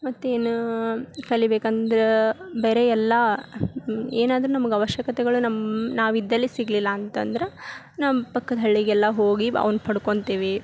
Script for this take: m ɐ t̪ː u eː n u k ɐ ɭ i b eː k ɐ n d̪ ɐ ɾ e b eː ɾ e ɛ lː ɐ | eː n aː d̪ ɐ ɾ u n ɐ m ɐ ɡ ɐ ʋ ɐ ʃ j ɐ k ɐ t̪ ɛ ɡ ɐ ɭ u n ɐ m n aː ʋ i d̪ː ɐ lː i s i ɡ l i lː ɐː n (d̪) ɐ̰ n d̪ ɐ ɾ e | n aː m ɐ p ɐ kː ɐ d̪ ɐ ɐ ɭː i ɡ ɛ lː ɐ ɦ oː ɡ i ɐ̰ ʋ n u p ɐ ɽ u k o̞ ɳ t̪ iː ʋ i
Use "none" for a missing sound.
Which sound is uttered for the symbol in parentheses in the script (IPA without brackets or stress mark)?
t̪